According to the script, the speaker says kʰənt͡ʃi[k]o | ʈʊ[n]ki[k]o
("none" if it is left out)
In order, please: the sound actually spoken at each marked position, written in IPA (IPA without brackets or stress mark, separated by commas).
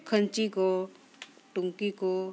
k, ŋ, k